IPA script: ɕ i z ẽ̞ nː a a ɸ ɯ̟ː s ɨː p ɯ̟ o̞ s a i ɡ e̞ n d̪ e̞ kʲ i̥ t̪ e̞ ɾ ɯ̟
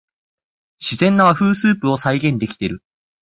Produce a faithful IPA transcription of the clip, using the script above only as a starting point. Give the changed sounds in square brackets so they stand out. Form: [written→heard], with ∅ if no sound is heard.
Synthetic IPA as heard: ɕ i z ẽ̞ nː a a ɸ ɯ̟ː s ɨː p ɯ̟ o̞ s a i ɡ [e̞→ẽ̞] n d̪ e̞ kʲ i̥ t̪ e̞ ɾ ɯ̟